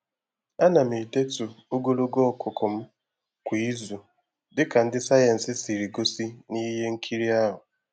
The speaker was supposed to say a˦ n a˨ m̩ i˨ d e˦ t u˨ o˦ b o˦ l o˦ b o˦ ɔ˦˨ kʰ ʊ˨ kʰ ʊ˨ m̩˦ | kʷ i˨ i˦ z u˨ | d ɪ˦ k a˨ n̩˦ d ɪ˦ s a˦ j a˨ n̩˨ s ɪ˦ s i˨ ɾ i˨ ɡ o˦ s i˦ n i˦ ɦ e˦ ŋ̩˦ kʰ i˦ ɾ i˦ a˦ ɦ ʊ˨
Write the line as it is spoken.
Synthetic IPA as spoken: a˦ n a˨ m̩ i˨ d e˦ t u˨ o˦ ɡ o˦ l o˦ ɡ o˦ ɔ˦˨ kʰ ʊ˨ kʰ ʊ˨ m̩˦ | kʷ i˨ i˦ z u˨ | d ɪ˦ k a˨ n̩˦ d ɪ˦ s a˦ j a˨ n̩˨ s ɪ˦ s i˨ ɾ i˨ ɡ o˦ s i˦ n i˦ ɦ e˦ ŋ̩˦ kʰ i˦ ɾ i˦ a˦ ɦ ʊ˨